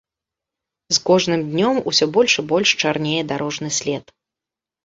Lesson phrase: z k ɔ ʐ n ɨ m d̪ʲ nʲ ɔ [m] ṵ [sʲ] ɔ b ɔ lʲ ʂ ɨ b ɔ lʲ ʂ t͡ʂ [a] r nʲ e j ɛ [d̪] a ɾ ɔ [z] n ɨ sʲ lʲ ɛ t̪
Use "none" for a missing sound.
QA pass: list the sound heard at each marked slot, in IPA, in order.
m, sʲ, a, d̪, ʐ

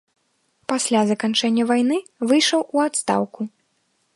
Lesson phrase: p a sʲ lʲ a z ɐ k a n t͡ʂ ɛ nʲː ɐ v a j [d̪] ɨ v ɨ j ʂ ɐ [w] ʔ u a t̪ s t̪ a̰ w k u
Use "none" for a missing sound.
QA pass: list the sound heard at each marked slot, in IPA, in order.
n̪, w

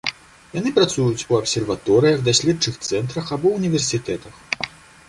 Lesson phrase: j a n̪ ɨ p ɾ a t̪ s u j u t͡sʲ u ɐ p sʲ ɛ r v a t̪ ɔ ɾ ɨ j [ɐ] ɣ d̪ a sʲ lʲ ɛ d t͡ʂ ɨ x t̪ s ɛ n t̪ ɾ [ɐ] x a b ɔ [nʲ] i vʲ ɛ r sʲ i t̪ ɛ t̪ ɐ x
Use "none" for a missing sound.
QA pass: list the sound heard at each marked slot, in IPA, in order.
ɐ, ɐ, nʲ

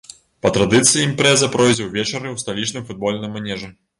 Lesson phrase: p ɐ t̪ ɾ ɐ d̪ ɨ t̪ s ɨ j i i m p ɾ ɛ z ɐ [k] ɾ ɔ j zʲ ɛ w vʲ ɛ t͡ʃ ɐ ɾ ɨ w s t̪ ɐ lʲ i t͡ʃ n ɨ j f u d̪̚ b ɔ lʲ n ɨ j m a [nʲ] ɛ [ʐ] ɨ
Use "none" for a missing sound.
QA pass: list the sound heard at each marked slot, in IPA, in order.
p, nʲ, ʐ

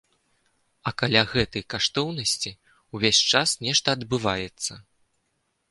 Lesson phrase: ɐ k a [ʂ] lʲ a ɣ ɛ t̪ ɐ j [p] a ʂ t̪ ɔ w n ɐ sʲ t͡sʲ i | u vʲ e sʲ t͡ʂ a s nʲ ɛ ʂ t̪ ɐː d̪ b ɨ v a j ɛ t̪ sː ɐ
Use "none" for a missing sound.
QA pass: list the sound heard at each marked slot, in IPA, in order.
none, k

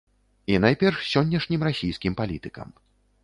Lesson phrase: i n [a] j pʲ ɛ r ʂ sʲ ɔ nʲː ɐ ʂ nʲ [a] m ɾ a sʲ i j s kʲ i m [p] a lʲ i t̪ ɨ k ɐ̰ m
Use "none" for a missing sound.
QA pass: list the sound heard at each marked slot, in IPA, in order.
a, i, p

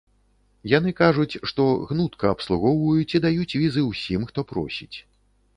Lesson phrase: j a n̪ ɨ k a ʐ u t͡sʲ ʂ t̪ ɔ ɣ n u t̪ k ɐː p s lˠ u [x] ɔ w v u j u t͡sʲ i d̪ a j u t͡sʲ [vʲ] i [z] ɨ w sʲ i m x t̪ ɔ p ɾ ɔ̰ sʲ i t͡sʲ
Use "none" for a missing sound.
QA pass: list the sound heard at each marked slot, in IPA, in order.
ɣ, vʲ, z

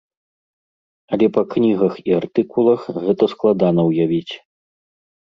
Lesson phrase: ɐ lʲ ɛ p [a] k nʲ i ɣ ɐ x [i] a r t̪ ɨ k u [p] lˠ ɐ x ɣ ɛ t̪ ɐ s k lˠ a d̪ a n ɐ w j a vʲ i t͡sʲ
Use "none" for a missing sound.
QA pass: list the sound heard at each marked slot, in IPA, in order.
ɐ, i, none

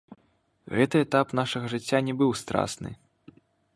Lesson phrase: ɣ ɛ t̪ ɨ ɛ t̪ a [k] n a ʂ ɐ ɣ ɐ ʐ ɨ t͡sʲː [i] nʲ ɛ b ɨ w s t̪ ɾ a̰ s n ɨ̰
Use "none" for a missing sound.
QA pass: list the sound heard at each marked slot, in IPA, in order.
p, a

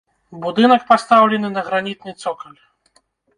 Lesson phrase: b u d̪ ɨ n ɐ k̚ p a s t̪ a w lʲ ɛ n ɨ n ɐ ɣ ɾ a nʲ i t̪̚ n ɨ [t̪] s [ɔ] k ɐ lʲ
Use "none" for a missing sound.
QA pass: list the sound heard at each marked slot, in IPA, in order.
t̪, ɔ

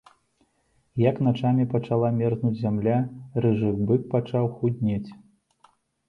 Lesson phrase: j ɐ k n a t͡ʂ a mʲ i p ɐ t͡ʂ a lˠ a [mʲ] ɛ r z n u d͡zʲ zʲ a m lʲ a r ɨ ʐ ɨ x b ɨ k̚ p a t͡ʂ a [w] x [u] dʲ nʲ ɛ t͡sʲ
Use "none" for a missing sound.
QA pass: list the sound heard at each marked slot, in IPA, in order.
mʲ, w, u

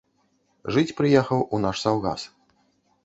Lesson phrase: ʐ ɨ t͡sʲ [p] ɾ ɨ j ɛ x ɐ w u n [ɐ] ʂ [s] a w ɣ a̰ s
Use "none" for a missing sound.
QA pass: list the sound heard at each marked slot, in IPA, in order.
p, a, s

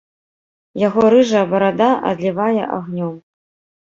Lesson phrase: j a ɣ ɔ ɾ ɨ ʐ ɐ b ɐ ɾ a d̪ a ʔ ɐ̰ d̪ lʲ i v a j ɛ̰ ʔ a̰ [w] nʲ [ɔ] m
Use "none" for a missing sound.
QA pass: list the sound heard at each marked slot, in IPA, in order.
ɣ, ɔ

